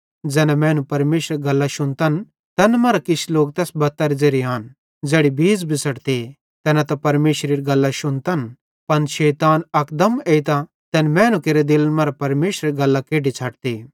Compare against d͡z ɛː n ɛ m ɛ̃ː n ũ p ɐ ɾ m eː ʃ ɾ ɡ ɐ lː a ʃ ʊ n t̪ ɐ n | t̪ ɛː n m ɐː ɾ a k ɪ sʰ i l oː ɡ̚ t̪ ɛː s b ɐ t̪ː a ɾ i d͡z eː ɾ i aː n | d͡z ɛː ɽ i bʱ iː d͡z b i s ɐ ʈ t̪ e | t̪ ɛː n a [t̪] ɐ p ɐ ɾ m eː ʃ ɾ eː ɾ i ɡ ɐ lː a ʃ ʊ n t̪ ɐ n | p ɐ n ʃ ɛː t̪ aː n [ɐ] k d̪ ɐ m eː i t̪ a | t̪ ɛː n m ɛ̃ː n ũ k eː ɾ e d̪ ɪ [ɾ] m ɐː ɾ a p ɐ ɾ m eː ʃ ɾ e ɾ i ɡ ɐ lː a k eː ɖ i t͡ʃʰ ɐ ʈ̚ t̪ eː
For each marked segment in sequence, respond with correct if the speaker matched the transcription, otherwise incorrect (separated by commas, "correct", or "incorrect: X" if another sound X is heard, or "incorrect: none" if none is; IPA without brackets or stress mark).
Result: correct, correct, incorrect: l